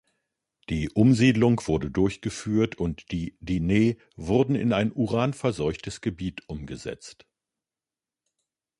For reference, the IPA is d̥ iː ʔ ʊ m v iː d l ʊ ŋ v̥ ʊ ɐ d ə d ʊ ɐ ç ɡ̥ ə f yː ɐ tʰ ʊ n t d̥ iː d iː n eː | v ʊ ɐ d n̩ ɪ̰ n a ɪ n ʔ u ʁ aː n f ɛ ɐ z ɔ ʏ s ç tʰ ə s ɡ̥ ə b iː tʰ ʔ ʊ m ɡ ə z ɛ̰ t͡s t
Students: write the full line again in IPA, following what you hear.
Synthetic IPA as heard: d̥ iː ʔ ʊ m z iː d l ʊ ŋ v̥ ʊ ɐ d ə d ʊ ɐ ç ɡ̥ ə f yː ɐ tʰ ʊ n t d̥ iː d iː n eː | v ʊ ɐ d n̩ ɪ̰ n a ɪ n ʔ u ʁ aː n f ɛ ɐ z ɔ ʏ ç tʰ ə s ɡ̥ ə b iː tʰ ʔ ʊ m ɡ ə z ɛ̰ t͡s t